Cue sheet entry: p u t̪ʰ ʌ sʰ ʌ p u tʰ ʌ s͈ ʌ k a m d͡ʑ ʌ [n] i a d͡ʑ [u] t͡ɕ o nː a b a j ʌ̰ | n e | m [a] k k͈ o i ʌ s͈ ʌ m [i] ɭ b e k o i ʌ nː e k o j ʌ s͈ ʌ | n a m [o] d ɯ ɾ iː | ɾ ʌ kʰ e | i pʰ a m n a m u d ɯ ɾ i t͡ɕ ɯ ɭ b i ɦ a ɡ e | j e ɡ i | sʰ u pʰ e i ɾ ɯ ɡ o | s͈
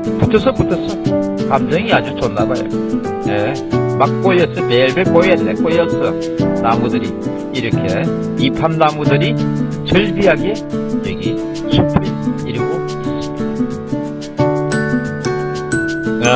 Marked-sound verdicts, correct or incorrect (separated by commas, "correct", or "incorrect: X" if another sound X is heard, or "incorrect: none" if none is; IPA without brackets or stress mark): incorrect: ŋ, correct, correct, incorrect: e, incorrect: u